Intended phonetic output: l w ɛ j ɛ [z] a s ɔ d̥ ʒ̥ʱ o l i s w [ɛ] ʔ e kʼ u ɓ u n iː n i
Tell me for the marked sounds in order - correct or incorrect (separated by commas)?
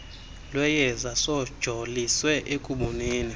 correct, correct